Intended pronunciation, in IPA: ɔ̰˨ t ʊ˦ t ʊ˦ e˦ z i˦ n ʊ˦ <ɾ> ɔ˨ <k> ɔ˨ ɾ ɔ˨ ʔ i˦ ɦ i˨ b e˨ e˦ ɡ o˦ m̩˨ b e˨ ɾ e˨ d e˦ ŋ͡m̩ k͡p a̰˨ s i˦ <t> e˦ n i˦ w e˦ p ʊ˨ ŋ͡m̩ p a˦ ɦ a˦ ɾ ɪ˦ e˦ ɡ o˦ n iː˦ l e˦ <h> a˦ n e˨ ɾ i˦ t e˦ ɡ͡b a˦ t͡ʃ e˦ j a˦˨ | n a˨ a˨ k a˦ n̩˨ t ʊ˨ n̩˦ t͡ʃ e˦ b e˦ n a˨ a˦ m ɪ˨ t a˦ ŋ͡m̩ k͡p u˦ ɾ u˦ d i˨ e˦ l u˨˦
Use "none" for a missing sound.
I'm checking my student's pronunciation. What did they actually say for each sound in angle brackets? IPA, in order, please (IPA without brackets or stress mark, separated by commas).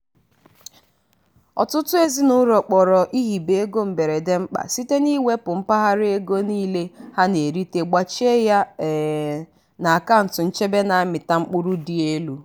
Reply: ɾ, k͡p, t, h